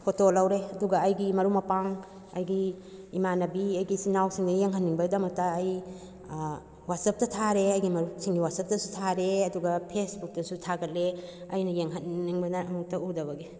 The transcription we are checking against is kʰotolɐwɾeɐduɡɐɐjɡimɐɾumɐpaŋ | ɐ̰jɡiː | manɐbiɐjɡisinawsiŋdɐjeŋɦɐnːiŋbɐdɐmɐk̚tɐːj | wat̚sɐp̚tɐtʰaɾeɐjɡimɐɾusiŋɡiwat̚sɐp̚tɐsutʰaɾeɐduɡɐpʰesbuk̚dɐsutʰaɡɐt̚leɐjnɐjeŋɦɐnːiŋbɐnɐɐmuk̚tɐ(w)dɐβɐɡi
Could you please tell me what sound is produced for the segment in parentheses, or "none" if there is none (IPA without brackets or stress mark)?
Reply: u